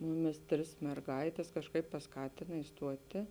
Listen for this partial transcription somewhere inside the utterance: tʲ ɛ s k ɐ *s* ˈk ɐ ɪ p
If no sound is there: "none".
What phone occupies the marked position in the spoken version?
ʃ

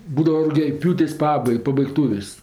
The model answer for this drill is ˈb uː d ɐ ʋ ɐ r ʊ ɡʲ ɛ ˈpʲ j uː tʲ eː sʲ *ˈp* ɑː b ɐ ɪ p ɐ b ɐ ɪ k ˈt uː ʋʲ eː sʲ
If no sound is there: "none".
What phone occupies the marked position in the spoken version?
p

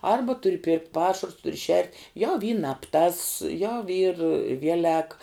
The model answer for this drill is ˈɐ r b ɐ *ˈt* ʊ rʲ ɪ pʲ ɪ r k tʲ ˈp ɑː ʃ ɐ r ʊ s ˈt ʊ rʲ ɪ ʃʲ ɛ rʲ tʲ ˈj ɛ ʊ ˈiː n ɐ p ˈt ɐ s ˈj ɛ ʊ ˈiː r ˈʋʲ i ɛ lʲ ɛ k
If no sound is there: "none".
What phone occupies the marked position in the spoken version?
t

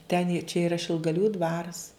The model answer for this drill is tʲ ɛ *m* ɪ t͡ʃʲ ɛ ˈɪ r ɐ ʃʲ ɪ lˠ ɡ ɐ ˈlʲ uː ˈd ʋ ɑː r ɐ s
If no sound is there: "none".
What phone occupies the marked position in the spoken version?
n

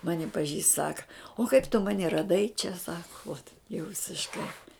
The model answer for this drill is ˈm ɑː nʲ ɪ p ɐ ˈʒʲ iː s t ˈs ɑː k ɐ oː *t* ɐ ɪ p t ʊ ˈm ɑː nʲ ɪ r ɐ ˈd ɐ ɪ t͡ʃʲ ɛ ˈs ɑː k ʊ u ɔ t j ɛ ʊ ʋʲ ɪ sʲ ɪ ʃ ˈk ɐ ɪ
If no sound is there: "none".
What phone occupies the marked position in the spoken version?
k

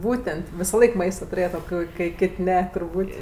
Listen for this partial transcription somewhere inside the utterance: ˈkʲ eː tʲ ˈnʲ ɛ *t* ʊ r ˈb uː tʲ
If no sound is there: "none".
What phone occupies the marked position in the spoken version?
t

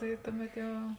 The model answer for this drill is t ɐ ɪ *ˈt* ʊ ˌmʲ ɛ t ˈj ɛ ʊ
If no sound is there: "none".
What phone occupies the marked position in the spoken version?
t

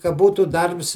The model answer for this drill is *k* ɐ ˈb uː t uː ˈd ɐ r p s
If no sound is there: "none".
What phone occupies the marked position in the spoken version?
k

